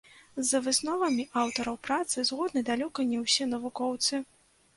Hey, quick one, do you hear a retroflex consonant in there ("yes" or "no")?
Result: no